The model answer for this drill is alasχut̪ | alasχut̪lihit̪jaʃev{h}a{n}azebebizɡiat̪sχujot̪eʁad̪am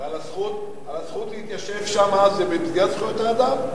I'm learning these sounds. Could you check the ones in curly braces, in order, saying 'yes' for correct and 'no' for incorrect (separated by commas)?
no, no